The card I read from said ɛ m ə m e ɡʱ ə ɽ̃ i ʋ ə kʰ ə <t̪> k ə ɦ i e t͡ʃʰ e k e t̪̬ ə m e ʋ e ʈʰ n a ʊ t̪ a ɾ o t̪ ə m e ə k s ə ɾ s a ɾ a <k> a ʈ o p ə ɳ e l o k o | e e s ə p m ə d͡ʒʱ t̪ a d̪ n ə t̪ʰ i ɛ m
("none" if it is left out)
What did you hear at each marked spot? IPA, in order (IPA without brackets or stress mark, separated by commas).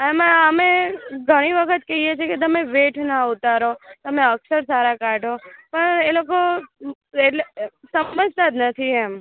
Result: t̪, k